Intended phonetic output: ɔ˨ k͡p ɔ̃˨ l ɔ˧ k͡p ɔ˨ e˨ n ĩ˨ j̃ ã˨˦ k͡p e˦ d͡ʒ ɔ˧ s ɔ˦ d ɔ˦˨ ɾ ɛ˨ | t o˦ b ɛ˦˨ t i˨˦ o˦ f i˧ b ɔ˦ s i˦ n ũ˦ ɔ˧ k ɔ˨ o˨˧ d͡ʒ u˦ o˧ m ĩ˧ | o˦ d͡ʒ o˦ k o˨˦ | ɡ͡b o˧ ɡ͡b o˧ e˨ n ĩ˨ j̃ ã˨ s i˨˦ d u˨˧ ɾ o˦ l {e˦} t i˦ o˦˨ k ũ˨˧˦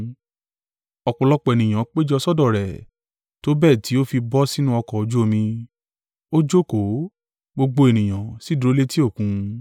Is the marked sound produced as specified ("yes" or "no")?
yes